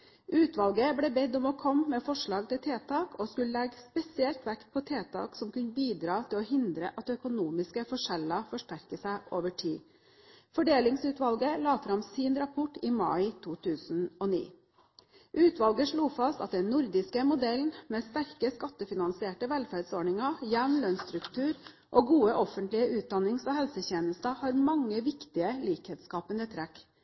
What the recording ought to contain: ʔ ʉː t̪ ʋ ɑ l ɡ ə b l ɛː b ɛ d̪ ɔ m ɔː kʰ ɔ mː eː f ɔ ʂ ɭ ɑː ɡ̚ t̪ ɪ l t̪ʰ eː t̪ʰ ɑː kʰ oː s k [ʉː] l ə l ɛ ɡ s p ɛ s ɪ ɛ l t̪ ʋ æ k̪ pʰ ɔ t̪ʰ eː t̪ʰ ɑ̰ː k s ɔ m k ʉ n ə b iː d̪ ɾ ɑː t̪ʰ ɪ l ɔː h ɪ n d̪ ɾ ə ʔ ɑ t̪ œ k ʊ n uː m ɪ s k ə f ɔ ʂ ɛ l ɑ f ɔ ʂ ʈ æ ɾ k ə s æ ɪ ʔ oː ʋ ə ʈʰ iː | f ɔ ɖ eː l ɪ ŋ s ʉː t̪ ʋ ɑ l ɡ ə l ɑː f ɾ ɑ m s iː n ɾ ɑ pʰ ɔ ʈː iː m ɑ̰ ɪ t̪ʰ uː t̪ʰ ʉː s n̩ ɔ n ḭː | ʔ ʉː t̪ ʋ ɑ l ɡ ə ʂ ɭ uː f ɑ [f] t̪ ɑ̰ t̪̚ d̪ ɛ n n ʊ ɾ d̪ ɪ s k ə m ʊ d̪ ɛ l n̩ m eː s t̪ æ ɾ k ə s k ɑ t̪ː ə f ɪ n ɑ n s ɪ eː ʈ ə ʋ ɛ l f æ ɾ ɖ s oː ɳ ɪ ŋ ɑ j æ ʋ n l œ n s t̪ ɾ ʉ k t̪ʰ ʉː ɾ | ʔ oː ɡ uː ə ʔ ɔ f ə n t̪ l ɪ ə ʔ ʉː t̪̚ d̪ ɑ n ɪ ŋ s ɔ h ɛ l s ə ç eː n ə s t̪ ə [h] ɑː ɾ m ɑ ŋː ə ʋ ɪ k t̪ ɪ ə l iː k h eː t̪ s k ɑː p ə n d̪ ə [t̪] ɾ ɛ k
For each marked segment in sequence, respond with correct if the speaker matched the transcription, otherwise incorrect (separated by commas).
incorrect, incorrect, correct, incorrect